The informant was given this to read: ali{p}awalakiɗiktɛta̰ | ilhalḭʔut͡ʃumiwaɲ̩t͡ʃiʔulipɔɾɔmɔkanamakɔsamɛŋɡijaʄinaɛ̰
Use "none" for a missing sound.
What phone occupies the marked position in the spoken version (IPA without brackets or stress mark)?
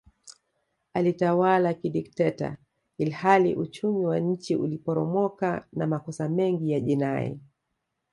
t